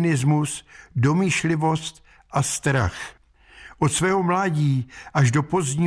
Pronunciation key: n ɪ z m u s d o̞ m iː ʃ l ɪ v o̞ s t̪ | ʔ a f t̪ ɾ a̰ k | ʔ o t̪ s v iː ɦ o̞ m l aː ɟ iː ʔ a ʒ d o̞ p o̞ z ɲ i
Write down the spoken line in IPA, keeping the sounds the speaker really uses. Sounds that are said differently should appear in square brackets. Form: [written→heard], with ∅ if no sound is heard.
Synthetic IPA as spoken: n ɪ z m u s d o̞ m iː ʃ l ɪ v o̞ s t̪ | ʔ a [f→s] t̪ ɾ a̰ [k→x] | ʔ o t̪ s v [iː→ɛː] ɦ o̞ m l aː ɟ iː ʔ a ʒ d o̞ p o̞ z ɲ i